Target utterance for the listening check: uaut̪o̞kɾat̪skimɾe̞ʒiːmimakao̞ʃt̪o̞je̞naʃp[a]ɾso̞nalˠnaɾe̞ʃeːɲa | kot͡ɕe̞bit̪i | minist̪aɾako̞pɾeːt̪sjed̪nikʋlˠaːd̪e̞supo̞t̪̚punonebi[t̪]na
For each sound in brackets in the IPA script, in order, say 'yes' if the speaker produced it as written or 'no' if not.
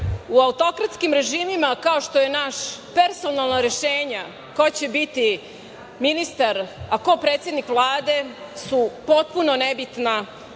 no, yes

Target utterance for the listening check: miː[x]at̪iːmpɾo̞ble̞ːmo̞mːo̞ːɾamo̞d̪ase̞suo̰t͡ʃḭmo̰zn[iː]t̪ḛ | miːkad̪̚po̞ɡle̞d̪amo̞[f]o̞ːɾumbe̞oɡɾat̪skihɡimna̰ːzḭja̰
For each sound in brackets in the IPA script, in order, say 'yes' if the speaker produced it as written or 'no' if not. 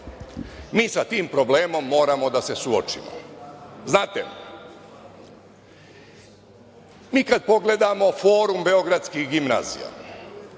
no, no, yes

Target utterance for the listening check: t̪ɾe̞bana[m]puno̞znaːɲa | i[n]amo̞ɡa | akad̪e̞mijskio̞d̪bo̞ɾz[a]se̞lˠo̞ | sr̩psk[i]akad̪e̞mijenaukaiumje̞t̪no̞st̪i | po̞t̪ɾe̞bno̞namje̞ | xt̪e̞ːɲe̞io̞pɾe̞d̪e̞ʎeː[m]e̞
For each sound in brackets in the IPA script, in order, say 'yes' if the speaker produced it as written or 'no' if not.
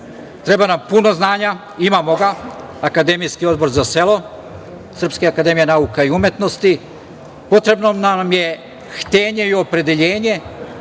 yes, no, yes, no, no

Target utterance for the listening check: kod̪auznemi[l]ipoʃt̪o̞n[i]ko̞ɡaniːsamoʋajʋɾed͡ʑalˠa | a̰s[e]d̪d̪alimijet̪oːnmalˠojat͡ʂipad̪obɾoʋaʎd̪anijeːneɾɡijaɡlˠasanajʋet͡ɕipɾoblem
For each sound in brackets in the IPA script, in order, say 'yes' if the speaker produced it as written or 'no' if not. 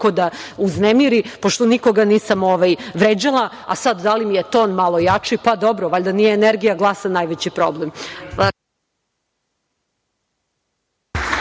no, yes, no

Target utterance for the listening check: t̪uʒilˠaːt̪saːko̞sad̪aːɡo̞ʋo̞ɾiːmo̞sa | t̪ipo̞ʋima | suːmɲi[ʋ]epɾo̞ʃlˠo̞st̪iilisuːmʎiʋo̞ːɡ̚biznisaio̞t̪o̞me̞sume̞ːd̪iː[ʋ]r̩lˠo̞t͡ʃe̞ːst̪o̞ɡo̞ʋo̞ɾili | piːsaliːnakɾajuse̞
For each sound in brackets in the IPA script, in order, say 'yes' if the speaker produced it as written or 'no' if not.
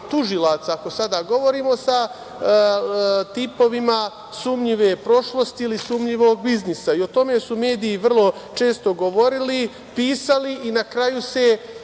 yes, yes

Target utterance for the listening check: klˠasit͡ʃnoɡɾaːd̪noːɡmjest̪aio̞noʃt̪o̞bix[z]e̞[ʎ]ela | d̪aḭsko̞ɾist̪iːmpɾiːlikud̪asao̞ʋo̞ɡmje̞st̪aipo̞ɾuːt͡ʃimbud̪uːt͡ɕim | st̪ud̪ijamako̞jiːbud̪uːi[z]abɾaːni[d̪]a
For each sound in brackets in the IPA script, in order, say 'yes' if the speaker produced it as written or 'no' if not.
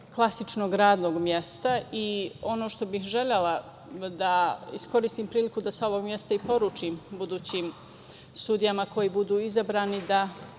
no, yes, yes, yes

